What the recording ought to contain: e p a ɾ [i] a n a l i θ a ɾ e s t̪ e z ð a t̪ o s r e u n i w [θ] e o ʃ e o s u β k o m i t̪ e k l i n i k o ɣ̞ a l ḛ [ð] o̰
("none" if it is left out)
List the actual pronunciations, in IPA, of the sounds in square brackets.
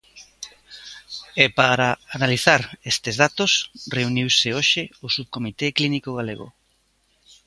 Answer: a, s, ɣ

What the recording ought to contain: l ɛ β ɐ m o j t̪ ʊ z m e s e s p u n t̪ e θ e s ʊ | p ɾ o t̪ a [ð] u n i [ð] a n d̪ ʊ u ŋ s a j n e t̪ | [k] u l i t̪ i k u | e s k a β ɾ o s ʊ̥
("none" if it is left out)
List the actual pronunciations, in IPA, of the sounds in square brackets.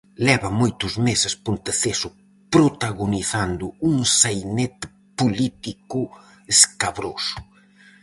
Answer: ɣ, θ, p

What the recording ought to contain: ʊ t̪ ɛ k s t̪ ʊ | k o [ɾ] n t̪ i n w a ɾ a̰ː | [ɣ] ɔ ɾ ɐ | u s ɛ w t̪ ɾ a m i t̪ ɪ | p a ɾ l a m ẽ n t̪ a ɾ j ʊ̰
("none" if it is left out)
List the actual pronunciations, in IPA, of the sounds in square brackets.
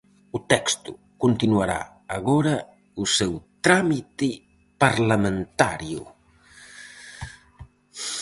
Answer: none, ɣ

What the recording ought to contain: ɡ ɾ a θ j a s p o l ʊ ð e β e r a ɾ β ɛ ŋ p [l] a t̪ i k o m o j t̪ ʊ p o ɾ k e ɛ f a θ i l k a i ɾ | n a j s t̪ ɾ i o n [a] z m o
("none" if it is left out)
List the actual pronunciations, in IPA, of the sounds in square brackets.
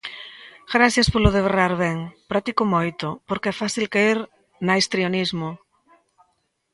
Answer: ɾ, i

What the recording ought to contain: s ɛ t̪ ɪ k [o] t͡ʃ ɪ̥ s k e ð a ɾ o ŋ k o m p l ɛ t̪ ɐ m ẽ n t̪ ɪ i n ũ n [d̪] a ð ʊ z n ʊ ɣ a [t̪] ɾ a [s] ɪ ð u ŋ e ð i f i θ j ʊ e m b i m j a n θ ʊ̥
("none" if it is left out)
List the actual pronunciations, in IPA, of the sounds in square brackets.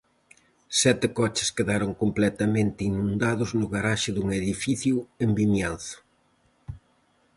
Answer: ɔ, d̪, none, ʃ

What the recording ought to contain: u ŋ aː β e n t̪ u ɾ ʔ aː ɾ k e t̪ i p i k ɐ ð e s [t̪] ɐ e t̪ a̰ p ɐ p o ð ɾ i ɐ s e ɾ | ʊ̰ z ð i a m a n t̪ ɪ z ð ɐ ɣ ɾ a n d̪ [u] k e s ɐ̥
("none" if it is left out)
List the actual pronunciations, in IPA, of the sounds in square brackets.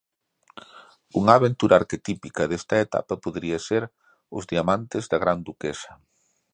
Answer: t̪, u

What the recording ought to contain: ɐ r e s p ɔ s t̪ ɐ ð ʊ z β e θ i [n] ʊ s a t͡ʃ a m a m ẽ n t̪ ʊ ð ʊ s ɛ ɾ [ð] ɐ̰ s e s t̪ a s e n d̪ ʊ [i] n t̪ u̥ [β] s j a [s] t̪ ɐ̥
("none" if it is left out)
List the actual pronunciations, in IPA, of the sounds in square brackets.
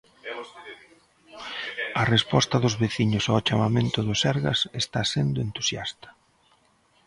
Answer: ɲ, ɣ, e, none, s

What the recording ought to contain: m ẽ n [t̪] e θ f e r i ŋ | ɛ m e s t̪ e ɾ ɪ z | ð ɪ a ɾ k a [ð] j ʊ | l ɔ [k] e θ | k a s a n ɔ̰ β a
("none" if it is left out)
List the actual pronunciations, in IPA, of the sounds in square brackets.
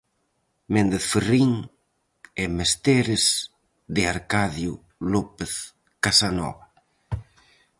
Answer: d̪, ð, p

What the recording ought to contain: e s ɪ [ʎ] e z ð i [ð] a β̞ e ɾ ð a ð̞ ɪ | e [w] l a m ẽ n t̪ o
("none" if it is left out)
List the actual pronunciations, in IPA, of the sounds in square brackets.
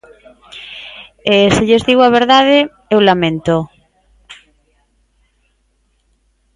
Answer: ʎ, ɣ, w

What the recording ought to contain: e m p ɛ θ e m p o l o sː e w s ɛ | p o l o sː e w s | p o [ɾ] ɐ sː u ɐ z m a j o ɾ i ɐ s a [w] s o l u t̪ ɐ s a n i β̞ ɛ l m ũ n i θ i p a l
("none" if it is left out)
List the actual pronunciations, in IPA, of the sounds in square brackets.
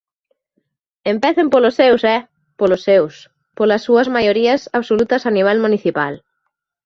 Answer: l, β

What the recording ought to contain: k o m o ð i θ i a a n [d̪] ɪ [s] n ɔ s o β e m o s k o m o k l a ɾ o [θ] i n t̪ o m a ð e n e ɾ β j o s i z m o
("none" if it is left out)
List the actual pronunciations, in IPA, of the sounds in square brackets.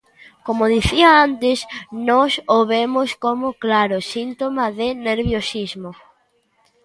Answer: t̪, s, s

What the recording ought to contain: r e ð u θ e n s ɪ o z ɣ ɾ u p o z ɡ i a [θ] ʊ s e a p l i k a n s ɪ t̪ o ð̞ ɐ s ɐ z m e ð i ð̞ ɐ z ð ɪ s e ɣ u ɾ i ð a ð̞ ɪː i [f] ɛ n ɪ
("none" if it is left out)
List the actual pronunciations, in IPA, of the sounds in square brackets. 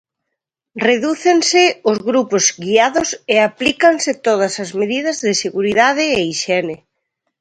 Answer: ð, ʃ

